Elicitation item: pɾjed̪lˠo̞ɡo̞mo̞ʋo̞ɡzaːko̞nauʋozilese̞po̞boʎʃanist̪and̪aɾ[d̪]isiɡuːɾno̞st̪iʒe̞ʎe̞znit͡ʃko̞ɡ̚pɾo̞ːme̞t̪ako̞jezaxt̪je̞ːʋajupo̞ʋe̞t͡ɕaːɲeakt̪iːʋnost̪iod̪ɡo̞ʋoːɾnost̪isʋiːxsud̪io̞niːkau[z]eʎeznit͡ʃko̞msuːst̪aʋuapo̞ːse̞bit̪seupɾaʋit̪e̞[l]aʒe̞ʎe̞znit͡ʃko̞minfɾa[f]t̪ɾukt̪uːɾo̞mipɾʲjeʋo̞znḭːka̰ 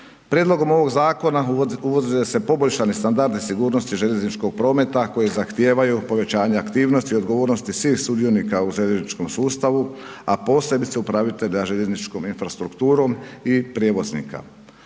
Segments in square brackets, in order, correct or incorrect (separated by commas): correct, incorrect, incorrect, incorrect